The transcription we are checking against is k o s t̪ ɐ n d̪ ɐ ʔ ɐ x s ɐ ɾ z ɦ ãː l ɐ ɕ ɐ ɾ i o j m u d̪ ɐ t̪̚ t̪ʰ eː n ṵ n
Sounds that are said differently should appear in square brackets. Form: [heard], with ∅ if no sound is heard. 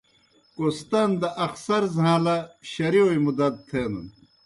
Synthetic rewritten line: k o s t̪ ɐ n d̪ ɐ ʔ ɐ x s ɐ ɾ z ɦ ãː l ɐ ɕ ɐ ɾ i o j m u d̪ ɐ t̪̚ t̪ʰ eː n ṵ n